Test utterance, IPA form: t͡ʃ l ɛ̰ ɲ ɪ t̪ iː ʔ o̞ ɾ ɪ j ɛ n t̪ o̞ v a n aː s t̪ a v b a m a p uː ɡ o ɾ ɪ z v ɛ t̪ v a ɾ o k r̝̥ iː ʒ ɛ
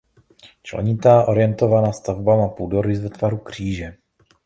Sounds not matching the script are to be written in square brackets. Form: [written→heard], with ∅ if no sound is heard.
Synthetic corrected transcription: t͡ʃ l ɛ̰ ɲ ɪ t̪ [iː→aː] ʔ o̞ ɾ ɪ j ɛ n t̪ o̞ v a n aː s t̪ a v b a m a p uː [ɡ→d] o ɾ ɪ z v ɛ t̪ v a ɾ [o→u] k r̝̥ iː ʒ ɛ